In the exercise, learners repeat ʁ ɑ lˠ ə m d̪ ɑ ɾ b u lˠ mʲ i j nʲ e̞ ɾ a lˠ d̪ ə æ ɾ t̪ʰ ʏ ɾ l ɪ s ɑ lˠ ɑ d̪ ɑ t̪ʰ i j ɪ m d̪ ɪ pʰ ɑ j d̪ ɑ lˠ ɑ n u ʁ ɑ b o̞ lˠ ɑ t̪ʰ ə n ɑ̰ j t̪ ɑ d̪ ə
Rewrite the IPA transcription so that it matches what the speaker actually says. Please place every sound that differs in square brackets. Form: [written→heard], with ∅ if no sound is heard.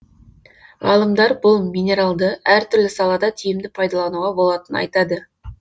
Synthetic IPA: ʁ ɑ lˠ ə m d̪ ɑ ɾ b [u→ʊ] lˠ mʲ i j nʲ e̞ ɾ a lˠ d̪ ə æ ɾ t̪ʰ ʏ ɾ l ɪ s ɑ lˠ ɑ d̪ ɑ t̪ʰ i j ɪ m d̪ ɪ pʰ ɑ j d̪ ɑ lˠ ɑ n u ʁ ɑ b o̞ lˠ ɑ [t̪ʰ→t̪] ə n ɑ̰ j t̪ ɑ d̪ ə